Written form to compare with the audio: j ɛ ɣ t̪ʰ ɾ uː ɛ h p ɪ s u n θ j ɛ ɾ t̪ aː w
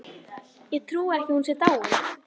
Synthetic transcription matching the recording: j ɛ ɣ t̪ʰ ɾ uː ɛ h c ɪ h u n s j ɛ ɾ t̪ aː w